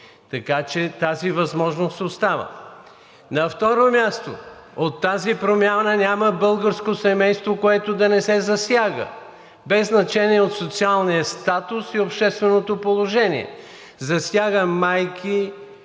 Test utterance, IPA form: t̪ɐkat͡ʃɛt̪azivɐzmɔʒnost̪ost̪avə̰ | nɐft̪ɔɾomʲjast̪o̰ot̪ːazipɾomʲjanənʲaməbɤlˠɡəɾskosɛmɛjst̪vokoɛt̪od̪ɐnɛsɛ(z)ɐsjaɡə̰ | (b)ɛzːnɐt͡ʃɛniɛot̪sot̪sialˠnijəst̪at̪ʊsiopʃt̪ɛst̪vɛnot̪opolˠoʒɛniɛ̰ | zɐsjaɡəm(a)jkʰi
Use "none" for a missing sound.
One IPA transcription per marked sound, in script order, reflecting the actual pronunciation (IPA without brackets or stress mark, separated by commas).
z, b, a